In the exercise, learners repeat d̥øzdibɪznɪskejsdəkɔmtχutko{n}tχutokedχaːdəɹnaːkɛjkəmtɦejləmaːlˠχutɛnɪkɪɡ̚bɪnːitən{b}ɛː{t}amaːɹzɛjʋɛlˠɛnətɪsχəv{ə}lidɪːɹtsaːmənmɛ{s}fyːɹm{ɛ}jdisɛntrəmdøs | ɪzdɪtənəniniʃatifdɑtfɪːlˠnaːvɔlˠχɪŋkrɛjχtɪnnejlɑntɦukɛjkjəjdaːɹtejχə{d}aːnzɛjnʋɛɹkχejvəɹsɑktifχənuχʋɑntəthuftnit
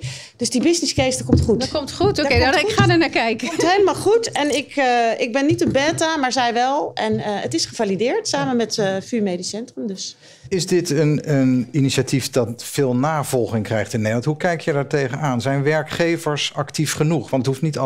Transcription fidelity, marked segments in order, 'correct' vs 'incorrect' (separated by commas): incorrect, correct, correct, incorrect, incorrect, incorrect, incorrect